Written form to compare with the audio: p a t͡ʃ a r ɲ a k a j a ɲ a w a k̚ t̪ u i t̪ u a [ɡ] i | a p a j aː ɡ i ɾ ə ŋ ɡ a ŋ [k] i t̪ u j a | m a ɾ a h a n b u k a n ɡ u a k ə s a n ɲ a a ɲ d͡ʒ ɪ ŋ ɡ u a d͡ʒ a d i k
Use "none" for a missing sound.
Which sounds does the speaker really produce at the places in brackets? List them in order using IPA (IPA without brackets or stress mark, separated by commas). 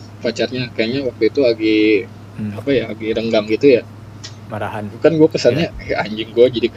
ɡ, ɡ